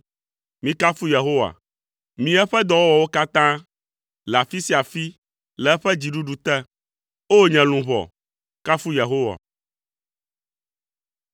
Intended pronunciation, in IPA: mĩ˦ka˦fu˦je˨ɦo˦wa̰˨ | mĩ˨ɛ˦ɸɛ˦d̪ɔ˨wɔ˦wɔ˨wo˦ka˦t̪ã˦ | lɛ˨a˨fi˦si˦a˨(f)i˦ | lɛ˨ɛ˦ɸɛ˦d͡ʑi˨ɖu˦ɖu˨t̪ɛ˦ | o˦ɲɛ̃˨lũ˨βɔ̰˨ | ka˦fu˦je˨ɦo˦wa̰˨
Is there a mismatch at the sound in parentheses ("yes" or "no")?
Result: no